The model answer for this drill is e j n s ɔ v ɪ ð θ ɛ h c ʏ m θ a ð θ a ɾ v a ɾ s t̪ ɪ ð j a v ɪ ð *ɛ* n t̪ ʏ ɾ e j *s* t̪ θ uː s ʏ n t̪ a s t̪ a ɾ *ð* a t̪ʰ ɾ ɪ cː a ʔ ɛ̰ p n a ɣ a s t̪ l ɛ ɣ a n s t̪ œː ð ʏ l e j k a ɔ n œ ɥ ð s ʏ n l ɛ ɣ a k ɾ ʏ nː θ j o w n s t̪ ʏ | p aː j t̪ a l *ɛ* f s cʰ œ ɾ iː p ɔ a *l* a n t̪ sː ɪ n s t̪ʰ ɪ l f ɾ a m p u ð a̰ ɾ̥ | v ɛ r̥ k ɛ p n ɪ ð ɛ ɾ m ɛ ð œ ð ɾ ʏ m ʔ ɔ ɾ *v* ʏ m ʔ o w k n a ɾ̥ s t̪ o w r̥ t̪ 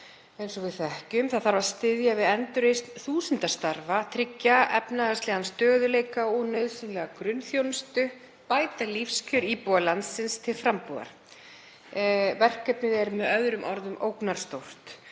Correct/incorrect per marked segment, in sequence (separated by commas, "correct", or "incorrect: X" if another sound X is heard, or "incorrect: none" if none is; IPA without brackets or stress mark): correct, correct, incorrect: v, incorrect: i, correct, incorrect: ð